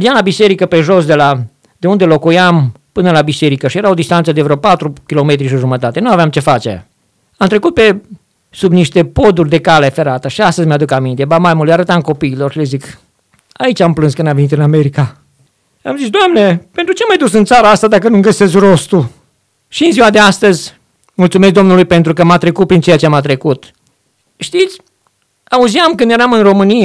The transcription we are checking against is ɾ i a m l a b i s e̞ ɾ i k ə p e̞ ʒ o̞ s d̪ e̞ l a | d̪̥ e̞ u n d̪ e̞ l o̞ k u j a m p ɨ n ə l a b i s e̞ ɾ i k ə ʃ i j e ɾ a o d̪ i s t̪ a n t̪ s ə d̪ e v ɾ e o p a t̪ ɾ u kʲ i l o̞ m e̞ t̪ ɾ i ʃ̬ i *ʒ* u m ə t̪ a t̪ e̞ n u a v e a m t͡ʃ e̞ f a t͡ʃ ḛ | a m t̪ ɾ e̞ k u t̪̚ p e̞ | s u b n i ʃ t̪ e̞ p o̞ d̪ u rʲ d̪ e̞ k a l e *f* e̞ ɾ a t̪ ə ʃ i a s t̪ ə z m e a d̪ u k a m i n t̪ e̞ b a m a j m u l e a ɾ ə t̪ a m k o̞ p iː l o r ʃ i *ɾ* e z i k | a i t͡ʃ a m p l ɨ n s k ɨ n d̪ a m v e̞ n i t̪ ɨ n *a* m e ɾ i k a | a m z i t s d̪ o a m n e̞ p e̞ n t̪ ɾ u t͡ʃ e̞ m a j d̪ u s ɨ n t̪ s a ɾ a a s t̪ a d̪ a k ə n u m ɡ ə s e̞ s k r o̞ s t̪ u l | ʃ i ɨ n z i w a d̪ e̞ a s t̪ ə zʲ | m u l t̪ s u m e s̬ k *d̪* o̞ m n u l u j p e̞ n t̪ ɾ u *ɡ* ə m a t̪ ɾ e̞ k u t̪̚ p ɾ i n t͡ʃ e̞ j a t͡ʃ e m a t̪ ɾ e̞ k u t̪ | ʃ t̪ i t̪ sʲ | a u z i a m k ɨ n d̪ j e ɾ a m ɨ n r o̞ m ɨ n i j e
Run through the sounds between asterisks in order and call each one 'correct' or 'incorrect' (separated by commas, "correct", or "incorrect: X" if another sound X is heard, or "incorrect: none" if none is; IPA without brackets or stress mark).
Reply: correct, correct, incorrect: l, correct, correct, incorrect: k